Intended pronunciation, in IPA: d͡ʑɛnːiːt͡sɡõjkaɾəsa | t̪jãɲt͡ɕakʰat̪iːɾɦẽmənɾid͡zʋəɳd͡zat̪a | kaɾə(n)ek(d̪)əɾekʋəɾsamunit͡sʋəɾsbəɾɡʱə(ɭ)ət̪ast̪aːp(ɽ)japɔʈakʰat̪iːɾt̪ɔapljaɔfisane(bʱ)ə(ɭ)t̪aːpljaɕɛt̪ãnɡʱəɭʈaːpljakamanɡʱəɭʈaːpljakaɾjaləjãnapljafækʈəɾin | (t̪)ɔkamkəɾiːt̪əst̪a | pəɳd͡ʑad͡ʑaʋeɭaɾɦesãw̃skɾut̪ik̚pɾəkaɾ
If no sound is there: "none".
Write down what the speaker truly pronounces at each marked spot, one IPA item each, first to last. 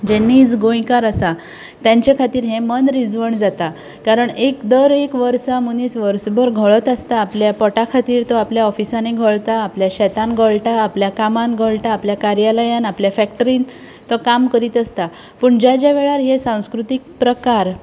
ɳ, d̪, ɭ, l, ɡʱ, ɭ, t̪

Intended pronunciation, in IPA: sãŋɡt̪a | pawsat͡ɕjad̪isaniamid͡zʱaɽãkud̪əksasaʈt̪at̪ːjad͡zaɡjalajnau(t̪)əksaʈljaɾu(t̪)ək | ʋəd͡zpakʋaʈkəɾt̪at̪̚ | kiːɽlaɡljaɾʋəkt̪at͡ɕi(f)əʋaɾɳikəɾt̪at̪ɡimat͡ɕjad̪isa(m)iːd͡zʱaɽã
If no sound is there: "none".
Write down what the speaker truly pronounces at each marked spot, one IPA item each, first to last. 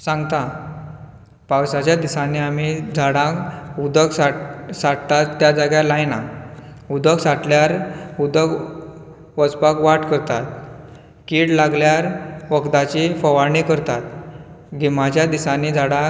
d̪, d̪, f, n

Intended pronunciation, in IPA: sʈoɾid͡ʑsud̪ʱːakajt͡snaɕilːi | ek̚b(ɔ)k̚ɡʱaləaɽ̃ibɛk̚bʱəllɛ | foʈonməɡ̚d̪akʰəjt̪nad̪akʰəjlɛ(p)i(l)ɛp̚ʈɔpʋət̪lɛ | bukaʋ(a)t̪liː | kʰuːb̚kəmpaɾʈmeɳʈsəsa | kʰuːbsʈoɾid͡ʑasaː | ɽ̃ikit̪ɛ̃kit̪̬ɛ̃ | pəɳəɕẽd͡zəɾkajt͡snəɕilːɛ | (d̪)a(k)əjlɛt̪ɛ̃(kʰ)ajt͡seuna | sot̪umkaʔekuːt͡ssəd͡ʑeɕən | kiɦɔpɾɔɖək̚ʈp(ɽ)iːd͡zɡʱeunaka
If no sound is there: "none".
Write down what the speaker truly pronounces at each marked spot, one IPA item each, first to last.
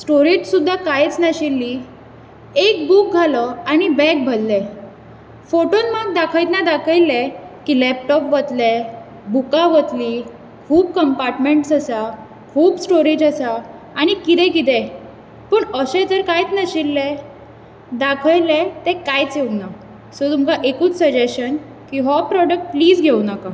u, k, l, ə, d̪, kʰ, k, l

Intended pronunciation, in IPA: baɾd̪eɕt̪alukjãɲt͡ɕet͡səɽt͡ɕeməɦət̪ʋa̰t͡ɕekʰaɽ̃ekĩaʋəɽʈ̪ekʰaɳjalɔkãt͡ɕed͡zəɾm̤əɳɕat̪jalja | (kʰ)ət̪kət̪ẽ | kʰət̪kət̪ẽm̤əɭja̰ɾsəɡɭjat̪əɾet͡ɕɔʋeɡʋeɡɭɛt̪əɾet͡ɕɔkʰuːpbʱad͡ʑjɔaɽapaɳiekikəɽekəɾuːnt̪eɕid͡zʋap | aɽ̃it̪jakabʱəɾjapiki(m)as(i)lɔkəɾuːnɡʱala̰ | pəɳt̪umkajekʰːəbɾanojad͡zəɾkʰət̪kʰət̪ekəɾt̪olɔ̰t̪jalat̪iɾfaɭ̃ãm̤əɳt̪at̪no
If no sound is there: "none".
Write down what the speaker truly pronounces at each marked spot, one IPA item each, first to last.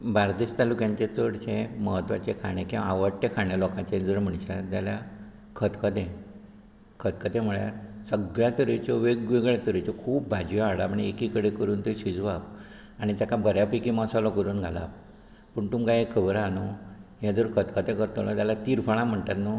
kʰ, m, a

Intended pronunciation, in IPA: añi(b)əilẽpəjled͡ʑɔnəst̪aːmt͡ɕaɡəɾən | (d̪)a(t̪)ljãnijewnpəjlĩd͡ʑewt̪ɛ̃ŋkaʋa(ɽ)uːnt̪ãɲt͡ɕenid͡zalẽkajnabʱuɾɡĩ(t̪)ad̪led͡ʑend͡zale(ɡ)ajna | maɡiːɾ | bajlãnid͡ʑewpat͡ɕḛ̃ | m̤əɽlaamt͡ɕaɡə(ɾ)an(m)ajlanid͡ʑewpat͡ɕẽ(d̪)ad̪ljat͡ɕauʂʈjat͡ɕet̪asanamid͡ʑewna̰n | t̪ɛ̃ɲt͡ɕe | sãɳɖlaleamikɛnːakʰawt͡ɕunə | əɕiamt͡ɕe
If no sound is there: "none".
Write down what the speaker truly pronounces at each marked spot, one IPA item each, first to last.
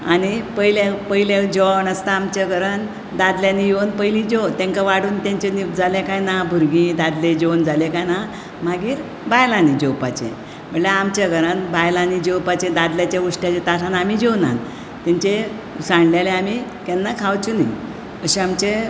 p, d̪, d̪, ɽ, d̪, k, ɾ, b, d̪

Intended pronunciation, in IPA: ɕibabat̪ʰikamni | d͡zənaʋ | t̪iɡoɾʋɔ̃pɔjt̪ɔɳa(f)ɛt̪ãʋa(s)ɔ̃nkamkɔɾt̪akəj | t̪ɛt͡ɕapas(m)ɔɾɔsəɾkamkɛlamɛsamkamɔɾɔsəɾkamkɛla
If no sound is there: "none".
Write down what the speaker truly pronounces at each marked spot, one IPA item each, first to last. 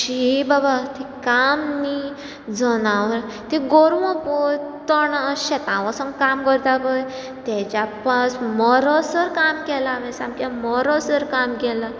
ɕ, s, m

